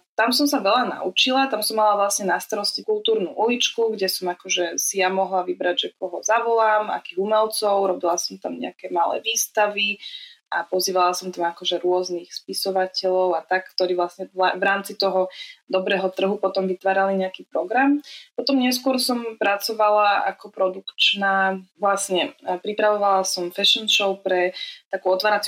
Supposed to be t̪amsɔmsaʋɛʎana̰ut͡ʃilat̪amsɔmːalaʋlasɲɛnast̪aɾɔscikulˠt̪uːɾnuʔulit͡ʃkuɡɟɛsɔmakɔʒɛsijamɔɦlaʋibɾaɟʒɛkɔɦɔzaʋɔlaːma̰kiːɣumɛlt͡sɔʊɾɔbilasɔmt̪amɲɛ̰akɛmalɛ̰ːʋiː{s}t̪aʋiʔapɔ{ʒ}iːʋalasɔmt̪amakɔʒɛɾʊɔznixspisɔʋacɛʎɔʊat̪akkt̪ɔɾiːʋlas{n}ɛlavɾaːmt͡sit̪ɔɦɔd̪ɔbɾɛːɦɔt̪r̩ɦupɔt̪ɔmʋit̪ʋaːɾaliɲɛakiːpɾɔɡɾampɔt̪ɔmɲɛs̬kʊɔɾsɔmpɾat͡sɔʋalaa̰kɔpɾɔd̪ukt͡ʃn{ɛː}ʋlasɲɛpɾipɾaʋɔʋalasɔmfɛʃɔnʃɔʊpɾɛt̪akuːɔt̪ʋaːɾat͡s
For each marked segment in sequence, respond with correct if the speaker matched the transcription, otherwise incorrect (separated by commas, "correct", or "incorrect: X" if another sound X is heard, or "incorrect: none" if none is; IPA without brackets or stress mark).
correct, incorrect: z, incorrect: ɲ, incorrect: aː